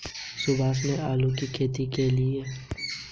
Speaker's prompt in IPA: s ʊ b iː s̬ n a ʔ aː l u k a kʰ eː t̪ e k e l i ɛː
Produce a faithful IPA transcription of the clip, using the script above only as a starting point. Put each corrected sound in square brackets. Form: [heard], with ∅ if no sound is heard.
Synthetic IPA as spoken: s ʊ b [aː] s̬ n [e] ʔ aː l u k [i] kʰ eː t̪ [i] k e l i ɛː